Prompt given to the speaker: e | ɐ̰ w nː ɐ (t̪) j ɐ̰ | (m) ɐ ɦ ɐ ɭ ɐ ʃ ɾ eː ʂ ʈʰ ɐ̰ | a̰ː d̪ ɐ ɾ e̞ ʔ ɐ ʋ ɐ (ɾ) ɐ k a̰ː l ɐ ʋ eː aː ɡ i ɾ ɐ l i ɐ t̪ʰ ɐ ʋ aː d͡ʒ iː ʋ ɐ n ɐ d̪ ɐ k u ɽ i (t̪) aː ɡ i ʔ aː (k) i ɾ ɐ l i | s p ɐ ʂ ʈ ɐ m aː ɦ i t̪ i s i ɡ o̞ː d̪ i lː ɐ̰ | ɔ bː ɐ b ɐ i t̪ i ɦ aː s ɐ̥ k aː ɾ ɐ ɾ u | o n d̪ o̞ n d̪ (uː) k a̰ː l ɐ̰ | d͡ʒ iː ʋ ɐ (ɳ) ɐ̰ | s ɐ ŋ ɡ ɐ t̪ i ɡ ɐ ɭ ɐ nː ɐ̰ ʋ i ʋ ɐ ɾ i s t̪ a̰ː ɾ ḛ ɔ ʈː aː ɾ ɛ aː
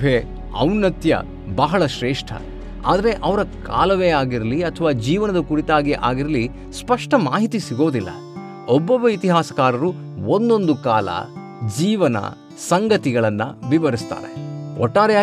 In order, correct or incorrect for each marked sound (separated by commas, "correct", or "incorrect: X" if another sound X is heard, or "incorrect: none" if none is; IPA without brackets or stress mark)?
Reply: correct, incorrect: b, correct, correct, incorrect: ɡ, incorrect: u, incorrect: n